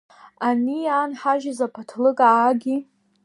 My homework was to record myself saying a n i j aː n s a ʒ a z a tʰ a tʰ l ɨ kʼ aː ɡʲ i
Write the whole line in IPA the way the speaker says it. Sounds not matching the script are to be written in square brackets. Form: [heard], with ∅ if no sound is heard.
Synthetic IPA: a n i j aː n [ħ] a ʒ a z a [pʰ] a tʰ l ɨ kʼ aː ɡʲ i